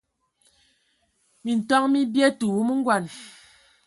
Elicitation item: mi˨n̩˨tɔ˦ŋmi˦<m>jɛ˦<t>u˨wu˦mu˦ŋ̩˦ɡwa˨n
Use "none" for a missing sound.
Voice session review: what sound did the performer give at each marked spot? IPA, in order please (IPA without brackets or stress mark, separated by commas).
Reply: b, t